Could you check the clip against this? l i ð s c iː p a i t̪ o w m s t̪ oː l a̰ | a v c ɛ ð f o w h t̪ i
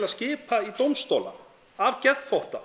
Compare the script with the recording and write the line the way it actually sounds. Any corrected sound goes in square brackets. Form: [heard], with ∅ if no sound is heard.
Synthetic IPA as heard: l [a] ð s c [ɪː] p a i t̪ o w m s t̪ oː l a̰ | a v c ɛ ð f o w h t̪ [a]